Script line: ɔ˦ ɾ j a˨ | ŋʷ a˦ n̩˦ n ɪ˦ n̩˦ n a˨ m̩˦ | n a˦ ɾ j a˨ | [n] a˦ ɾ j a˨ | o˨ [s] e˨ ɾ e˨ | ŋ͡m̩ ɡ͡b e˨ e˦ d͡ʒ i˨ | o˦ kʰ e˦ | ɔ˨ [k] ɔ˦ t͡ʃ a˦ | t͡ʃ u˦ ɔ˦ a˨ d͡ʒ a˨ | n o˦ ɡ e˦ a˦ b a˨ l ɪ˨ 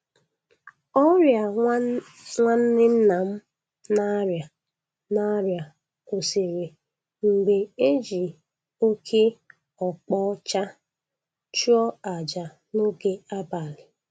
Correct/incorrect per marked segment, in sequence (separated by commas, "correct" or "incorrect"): correct, correct, incorrect